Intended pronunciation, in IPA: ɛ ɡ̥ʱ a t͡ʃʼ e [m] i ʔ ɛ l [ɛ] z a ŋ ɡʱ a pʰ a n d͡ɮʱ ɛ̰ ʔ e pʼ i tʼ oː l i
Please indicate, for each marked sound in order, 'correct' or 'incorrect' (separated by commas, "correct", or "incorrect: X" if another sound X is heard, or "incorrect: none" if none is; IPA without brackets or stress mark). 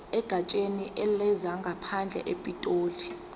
incorrect: n, correct